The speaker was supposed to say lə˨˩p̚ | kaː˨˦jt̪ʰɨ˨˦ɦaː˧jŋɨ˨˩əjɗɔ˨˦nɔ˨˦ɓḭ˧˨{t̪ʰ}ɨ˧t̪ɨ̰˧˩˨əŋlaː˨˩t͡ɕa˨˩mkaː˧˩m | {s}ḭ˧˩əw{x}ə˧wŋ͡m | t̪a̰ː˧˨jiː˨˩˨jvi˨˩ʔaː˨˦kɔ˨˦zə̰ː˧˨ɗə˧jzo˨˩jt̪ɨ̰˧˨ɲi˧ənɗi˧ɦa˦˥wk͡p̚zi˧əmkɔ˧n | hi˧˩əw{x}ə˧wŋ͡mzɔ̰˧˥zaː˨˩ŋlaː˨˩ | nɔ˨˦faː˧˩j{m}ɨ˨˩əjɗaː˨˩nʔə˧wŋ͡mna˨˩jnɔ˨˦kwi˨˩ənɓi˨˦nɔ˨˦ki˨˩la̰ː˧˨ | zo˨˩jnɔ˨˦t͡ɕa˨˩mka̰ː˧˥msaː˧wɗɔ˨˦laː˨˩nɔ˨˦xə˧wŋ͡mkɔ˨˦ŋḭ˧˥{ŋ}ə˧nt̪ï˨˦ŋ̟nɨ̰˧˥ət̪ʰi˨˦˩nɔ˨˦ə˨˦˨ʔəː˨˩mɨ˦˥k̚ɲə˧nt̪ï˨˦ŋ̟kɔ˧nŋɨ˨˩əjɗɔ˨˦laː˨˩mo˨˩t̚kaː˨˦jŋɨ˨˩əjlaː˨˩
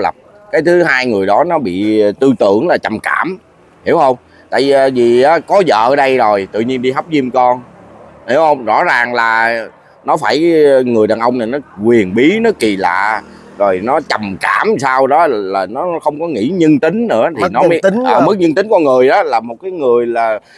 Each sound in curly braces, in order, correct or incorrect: incorrect: t̪, incorrect: h, incorrect: h, incorrect: h, incorrect: ŋ, incorrect: ɲ

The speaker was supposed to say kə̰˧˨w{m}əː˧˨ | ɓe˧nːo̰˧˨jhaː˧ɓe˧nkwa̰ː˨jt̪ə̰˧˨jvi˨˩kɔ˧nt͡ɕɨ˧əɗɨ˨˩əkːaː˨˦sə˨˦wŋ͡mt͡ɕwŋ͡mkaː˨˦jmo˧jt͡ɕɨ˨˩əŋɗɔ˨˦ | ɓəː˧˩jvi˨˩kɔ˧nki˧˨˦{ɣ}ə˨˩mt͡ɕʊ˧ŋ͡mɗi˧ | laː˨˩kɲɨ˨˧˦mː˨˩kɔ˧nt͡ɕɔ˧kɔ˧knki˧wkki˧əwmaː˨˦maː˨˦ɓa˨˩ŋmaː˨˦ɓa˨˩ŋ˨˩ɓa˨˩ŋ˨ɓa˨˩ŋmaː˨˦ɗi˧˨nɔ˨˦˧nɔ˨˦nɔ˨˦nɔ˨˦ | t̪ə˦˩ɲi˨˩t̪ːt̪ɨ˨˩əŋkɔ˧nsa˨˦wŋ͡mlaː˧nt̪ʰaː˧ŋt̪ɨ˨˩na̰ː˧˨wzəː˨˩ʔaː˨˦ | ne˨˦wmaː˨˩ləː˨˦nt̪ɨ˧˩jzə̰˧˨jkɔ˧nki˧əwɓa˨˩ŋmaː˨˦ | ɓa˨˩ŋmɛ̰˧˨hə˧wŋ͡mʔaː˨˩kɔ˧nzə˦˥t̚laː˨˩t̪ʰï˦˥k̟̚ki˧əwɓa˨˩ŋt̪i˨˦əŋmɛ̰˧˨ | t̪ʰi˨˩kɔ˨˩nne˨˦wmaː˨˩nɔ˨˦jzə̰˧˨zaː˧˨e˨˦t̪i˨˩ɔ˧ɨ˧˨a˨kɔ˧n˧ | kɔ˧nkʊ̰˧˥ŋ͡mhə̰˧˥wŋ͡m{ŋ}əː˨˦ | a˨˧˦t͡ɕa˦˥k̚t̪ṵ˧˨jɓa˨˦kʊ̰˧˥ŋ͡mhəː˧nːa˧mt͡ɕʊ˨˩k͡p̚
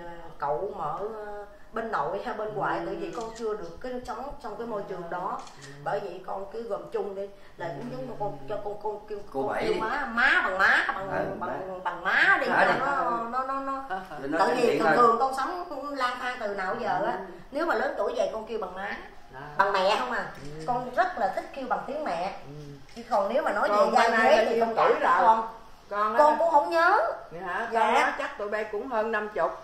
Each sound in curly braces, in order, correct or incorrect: correct, correct, incorrect: ɲ

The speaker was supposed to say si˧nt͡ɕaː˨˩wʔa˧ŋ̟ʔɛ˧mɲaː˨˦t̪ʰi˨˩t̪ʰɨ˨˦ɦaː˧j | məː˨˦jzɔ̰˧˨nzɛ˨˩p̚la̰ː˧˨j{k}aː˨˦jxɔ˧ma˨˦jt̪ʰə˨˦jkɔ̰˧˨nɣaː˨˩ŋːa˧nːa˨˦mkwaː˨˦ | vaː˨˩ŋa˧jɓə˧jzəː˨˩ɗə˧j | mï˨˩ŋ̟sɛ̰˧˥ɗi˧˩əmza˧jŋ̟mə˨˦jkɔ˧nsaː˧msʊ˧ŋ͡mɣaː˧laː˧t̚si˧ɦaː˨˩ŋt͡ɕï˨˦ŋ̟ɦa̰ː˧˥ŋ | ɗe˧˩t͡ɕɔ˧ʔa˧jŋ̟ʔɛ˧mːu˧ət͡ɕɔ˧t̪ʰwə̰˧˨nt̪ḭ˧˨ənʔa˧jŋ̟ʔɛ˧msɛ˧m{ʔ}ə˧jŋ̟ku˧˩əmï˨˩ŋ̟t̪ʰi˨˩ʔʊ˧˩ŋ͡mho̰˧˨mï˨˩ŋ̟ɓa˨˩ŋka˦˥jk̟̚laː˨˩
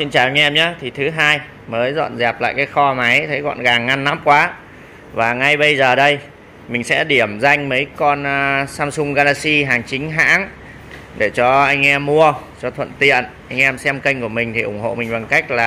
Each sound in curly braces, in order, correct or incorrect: correct, incorrect: k

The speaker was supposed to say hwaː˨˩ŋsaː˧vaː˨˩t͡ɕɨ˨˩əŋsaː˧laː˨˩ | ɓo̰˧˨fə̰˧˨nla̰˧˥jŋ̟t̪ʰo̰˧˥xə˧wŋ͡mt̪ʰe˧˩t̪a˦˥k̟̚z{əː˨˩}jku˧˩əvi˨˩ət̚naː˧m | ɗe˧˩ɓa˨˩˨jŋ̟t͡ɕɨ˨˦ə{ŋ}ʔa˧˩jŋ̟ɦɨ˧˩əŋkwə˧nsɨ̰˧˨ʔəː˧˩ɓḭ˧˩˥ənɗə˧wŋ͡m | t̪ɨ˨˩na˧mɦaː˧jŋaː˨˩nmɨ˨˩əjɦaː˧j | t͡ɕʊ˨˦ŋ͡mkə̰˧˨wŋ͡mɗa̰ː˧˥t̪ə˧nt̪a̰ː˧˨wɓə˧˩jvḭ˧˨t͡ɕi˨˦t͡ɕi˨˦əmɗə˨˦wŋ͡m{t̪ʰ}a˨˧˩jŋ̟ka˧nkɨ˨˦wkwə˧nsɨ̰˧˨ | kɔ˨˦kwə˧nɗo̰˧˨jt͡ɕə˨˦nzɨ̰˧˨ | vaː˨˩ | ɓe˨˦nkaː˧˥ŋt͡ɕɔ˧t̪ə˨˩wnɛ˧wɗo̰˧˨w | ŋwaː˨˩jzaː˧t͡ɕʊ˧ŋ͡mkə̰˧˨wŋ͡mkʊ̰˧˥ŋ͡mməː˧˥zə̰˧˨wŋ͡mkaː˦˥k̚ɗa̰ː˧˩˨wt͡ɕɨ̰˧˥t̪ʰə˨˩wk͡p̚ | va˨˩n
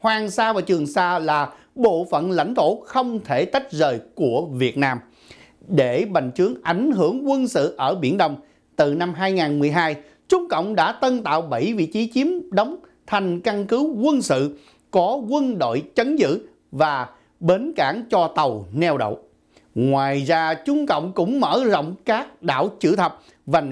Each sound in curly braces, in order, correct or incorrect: correct, correct, correct

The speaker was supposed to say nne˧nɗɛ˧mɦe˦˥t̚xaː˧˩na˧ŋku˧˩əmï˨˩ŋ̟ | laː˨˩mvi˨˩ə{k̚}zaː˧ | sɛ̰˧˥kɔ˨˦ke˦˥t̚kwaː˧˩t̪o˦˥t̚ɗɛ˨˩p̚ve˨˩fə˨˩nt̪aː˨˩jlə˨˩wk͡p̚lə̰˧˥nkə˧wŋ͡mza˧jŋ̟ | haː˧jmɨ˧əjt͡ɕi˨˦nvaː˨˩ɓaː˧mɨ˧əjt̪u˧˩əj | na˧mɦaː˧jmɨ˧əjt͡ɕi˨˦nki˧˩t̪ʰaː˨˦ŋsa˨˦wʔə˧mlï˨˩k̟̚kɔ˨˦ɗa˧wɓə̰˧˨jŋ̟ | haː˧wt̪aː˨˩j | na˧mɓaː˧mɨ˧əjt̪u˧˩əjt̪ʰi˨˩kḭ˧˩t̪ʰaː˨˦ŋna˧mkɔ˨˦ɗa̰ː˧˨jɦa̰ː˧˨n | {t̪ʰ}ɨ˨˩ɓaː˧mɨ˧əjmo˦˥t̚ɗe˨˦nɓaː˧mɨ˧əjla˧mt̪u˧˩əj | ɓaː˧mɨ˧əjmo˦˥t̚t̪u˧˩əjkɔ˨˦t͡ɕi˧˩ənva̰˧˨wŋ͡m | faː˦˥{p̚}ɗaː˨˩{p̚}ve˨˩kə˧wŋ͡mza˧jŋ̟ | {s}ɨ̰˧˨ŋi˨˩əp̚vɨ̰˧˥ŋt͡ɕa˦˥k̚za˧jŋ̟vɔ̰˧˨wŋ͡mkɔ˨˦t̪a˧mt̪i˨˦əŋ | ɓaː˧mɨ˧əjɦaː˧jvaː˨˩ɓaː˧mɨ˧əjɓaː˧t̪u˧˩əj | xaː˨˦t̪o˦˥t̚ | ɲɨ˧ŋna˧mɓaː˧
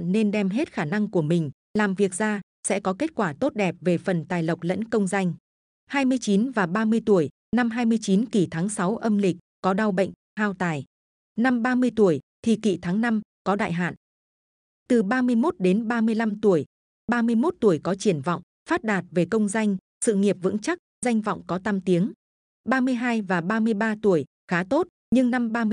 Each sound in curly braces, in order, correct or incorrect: correct, incorrect: t̪, incorrect: t̚, incorrect: t̚, correct

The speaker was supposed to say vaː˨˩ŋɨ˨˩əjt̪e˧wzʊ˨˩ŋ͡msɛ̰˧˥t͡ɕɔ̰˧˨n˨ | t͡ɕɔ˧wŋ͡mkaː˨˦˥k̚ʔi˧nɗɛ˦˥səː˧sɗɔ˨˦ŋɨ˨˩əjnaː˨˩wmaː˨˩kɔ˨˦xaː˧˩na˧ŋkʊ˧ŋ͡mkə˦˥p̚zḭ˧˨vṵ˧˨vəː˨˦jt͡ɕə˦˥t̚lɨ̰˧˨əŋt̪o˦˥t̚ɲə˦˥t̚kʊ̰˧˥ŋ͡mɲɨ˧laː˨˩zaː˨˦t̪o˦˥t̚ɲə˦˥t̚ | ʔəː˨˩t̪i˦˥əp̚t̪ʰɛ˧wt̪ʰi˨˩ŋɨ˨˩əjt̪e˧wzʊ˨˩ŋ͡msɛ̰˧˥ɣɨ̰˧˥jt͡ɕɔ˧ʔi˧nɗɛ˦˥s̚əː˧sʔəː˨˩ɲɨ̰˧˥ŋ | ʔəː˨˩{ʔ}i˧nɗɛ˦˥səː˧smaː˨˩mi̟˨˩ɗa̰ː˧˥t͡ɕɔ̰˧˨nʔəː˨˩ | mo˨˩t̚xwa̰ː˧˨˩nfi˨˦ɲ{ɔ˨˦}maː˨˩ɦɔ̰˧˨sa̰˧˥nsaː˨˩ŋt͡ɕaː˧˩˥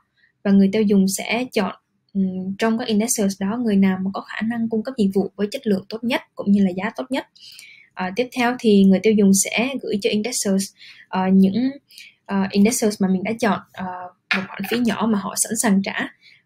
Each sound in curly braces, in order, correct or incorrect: correct, incorrect: ɔ˧˩

